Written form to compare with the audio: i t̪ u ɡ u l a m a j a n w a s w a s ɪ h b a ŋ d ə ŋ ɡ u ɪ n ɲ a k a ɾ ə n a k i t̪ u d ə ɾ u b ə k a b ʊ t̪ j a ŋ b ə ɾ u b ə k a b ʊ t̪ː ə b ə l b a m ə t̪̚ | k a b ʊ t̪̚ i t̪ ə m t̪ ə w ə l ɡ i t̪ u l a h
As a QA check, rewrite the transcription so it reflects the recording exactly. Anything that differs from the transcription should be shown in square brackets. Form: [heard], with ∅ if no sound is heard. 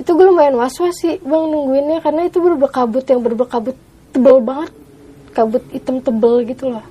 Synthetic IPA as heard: i t̪ u ɡ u l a m a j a n w a s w a s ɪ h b a ŋ [n] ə ŋ ɡ u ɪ n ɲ a k a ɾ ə n a [∅] i t̪ u [b] ə ɾ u b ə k a b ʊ t̪ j a ŋ b ə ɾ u b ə k a b ʊ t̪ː ə b ə l b a [ŋ] ə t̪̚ | k a b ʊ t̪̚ i t̪ ə m t̪ ə [b] ə l ɡ i t̪ u l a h